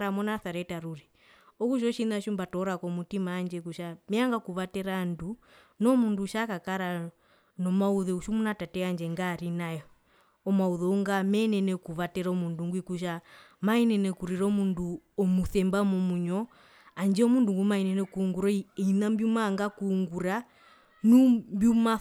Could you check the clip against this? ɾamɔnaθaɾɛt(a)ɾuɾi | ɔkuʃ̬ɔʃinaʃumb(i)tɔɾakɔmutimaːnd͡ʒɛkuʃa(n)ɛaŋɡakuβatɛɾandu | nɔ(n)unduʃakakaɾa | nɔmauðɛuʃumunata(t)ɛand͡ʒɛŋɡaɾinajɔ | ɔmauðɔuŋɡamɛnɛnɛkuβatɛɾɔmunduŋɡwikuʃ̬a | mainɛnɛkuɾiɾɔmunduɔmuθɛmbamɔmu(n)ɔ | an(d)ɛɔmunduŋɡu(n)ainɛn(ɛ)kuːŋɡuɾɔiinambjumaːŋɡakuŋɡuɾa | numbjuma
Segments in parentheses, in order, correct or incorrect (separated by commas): correct, incorrect, incorrect, incorrect, correct, incorrect, incorrect, incorrect, correct